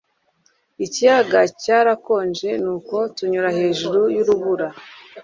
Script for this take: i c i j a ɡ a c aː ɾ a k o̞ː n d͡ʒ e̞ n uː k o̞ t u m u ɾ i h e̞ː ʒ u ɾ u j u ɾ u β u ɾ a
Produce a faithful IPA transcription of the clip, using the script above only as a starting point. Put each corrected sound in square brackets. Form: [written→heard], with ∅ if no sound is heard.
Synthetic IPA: i c i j a ɡ a c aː ɾ a k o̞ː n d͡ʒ e̞ n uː k o̞ t u [m→ɲ] u ɾ [i→a] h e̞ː ʒ u ɾ u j u ɾ u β u ɾ a